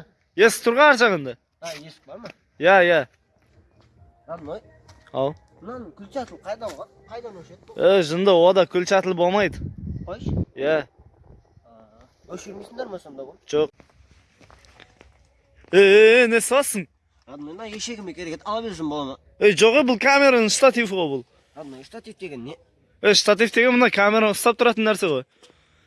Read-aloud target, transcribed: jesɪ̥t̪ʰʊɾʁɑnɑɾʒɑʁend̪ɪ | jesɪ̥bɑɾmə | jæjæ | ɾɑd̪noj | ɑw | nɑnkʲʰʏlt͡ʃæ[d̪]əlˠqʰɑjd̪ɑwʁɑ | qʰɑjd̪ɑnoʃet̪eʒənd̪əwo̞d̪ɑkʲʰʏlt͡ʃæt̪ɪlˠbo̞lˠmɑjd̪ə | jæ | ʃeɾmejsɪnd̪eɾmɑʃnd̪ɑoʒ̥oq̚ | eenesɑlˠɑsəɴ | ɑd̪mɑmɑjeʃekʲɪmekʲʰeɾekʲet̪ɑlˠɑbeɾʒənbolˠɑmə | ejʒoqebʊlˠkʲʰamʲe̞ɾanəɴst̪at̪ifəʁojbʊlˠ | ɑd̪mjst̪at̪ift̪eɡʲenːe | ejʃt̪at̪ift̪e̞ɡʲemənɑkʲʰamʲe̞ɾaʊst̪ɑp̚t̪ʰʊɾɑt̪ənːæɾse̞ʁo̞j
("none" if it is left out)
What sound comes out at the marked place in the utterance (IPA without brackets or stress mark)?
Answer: t̪